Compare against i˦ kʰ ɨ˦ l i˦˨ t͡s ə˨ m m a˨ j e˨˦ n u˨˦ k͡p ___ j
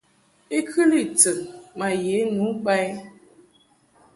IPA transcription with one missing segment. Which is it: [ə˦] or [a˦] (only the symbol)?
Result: a˦